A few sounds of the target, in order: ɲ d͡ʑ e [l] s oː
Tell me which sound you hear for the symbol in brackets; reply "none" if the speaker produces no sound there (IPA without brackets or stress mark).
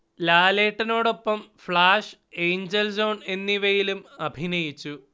l